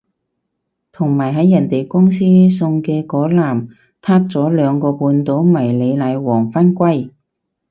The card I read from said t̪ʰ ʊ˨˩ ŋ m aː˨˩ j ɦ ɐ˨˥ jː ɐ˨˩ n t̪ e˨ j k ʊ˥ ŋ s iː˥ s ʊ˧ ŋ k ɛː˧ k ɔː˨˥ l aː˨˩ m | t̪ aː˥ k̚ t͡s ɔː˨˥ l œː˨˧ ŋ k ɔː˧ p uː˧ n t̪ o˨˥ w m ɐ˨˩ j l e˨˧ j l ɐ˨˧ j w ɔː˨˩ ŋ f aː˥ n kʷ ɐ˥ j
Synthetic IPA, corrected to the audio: t̪ʰ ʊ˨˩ ŋ m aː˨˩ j ɦ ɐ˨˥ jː ɐ˨˩ n t̪ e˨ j k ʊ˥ ŋ s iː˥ s ʊ˧ ŋ k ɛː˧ k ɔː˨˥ l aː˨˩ m | t̪ʰ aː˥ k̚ t͡s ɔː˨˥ l œː˨˧ ŋ k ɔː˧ p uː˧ n t̪ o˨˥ w m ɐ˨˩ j l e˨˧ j l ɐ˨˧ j w ɔː˨˩ ŋ f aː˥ n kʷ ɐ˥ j